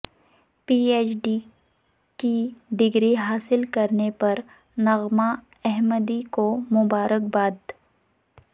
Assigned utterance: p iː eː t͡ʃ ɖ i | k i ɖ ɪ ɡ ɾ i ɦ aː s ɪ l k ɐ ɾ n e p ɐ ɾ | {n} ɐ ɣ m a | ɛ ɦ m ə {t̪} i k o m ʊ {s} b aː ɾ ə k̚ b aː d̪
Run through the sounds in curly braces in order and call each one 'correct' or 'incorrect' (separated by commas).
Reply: correct, incorrect, incorrect